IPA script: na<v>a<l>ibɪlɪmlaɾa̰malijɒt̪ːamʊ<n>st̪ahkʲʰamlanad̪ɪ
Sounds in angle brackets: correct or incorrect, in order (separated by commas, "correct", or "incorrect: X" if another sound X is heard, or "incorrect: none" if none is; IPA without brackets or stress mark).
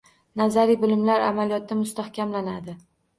incorrect: z, incorrect: ɾ, incorrect: none